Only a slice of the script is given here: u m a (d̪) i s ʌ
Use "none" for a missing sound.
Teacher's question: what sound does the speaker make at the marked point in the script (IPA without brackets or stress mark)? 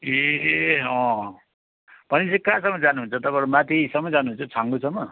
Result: t̪